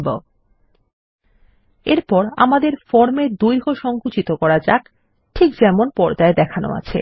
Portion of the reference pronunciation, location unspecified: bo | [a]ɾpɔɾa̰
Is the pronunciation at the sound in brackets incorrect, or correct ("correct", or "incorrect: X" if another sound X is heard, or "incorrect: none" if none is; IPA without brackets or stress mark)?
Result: incorrect: e